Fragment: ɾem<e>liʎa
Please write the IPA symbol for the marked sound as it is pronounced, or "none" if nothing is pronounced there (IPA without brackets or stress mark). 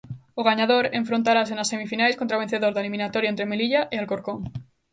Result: e